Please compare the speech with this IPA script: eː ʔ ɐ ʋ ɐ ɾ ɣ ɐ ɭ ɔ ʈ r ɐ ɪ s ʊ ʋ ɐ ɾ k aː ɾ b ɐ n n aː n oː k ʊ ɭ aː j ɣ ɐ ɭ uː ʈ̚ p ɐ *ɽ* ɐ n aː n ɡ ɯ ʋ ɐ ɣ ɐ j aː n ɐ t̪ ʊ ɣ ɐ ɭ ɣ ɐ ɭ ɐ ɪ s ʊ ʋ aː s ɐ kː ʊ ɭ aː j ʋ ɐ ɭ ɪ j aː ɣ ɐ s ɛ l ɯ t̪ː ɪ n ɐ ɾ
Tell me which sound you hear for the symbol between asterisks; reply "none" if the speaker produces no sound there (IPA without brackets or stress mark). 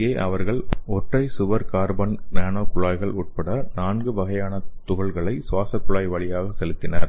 ɽ